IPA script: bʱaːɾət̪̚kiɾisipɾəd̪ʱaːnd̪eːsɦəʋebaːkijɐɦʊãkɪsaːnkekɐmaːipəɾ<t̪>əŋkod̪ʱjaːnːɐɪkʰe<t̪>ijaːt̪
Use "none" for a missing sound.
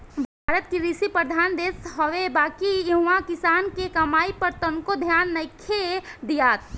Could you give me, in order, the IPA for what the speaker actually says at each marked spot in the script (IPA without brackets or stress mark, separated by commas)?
t̪, d̪